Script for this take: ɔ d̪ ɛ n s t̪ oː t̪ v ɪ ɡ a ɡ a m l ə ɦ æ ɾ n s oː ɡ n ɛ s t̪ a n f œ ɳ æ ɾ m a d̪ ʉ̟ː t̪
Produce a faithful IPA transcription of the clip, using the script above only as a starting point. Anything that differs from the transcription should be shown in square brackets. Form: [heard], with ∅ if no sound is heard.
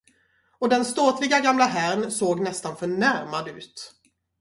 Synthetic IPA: ɔ d̪ ɛ n s t̪ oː t̪ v ɪ ɡ a ɡ a m l [a] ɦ æ ɾ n s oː ɡ n ɛ s t̪ a n f œ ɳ æ ɾ m a d̪ ʉ̟ː t̪